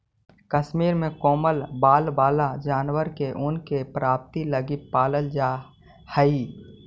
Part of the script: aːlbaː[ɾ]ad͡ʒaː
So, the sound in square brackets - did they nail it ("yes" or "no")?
no